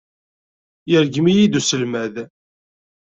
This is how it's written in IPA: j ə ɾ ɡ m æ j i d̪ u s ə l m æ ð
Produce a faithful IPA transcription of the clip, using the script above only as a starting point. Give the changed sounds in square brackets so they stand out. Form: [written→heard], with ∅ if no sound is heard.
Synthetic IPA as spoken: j ə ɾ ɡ m [æ→i] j i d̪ u s ə l m æ ð